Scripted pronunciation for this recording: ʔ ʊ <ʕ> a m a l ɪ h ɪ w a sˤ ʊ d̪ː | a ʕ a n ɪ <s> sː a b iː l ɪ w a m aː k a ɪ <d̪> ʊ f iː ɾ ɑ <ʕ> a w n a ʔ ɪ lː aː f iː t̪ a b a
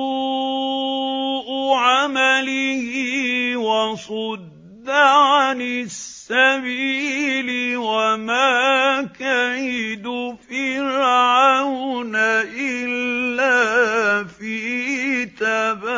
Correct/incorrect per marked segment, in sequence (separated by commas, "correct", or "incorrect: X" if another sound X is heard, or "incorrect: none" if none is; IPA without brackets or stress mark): correct, correct, correct, correct